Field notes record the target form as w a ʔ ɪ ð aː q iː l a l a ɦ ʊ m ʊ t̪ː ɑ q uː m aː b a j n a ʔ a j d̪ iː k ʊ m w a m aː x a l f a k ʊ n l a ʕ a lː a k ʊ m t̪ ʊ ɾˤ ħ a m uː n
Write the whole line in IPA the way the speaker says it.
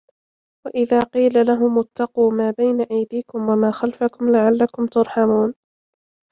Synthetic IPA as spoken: w a ʔ ɪ ð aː q iː l a l a ɦ ʊ m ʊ t̪ː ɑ q uː m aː b a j n a ʔ a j d̪ iː k ʊ m w a m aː x a l f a k ʊ m l a ʕ a lː a k ʊ m t̪ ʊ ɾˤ ħ a m uː n